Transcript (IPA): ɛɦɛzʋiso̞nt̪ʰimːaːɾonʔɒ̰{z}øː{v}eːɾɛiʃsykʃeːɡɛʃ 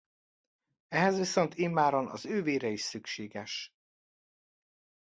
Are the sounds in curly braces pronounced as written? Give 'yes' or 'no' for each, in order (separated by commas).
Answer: yes, yes